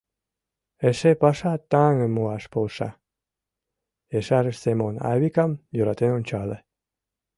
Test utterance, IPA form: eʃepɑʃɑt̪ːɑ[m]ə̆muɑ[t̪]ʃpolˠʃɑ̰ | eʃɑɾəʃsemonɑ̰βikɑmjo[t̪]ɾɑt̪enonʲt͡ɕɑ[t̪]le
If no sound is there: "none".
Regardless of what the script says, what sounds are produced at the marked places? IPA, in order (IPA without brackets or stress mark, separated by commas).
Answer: ŋ, none, none, none